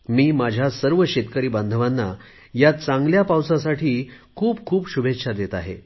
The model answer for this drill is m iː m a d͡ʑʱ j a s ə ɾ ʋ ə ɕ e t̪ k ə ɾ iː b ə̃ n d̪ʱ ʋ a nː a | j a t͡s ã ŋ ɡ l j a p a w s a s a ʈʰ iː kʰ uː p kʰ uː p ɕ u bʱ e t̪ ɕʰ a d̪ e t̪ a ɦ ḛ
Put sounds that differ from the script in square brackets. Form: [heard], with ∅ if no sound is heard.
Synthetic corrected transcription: m iː m a d͡ʑʱ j a s ə ɾ ʋ ə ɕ e t̪ k ə ɾ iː b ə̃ n d̪ʱ ʋ a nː a | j a t͡s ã ŋ ɡ l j a p a w s a s a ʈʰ iː kʰ uː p kʰ uː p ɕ u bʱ e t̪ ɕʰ a d̪ e t̪ a ɦ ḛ